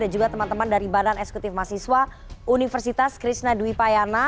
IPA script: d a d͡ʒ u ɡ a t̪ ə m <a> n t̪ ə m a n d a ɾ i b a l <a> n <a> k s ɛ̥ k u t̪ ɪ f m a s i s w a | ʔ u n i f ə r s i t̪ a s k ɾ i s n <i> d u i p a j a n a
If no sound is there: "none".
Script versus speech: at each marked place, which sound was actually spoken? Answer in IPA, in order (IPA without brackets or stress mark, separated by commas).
a, a, ɛ, a